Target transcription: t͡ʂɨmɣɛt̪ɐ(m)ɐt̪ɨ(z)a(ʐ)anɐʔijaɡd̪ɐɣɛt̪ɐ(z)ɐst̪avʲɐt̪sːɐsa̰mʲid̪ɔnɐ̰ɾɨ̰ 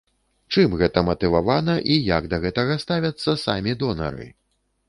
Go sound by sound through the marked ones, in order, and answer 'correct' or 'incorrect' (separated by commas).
correct, incorrect, incorrect, incorrect